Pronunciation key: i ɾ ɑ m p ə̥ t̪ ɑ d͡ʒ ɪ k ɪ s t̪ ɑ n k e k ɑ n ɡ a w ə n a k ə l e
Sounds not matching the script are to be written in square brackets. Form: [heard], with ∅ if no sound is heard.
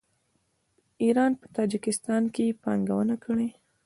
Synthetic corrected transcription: i ɾ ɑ [n] p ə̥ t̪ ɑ d͡ʒ ɪ k ɪ s t̪ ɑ n k e [p] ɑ [ŋ] ɡ a w ə n a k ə [ɽ] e